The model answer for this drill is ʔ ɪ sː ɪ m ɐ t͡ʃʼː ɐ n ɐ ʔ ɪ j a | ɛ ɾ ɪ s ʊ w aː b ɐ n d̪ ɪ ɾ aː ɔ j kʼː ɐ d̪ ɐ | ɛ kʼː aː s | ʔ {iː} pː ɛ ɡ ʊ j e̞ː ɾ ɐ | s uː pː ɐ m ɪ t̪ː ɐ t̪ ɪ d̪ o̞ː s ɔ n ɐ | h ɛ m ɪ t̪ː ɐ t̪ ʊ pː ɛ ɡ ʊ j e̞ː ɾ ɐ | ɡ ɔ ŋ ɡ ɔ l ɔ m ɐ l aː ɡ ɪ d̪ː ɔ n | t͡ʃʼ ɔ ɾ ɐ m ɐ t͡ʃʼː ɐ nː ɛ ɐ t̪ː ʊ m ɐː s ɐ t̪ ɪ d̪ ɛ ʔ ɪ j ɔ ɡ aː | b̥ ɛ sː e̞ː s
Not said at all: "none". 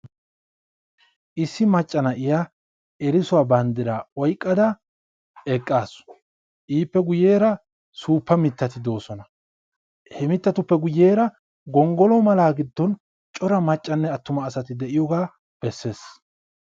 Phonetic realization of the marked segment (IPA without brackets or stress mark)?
iː